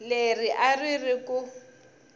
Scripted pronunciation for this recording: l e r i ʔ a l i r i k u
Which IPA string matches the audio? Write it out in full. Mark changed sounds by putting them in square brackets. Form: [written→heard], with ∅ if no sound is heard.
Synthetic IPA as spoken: l e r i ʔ a [l→r] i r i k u